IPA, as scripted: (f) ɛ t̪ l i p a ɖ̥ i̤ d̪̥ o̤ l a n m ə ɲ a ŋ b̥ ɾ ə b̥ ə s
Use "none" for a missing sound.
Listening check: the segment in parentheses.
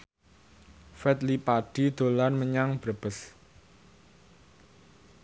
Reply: f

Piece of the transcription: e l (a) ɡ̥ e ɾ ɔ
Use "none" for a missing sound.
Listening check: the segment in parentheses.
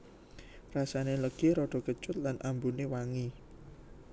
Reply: ə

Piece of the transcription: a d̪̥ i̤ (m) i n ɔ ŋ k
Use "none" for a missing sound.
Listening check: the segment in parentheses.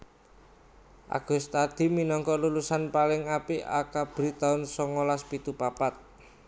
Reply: m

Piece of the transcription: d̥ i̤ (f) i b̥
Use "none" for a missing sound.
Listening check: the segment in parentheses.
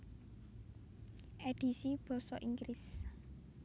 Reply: s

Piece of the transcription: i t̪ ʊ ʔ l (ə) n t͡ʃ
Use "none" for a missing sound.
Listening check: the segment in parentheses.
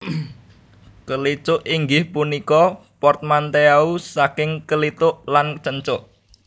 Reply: a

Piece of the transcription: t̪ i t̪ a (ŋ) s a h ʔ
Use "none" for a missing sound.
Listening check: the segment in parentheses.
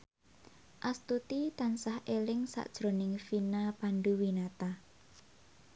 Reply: n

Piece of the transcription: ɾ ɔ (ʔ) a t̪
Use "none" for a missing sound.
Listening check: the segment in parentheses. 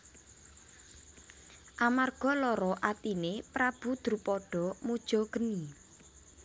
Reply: ʔ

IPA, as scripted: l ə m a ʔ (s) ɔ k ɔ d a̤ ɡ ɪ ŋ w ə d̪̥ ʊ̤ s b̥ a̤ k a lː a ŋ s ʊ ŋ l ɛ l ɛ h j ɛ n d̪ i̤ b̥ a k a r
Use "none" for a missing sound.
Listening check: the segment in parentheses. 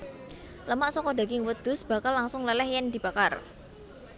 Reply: s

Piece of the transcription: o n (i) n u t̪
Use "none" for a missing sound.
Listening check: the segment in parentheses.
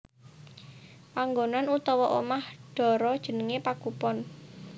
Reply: a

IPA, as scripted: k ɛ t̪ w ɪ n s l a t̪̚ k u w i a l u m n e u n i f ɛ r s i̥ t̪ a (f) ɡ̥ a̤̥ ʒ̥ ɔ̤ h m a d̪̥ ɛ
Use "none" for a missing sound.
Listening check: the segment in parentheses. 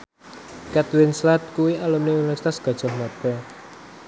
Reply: s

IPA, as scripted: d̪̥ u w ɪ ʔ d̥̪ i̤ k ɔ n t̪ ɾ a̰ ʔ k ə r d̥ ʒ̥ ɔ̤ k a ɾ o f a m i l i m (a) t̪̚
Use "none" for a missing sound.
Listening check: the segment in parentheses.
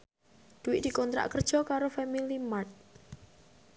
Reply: a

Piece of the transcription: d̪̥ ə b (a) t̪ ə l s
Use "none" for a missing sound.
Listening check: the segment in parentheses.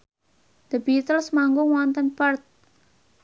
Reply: i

